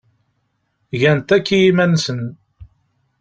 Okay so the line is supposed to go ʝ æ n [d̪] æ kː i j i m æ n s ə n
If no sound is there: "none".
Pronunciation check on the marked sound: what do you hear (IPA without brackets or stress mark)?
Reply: t̪